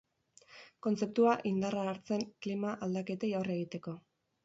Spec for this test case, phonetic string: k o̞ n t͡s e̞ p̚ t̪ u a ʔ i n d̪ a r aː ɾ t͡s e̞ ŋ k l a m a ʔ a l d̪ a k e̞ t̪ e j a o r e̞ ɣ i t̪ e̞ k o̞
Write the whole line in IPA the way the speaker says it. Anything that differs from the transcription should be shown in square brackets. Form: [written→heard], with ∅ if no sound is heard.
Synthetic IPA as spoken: k o̞ n t͡s e̞ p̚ t̪ u a ʔ i n d̪ a r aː ɾ t͡s e̞ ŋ k l [a→i] m a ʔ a l d̪ a k e̞ t̪ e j a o r e̞ ɣ i t̪ e̞ k o̞